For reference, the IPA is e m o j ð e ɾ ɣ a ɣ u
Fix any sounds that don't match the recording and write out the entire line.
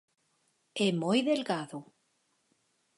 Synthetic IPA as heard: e m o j ð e l ɣ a ð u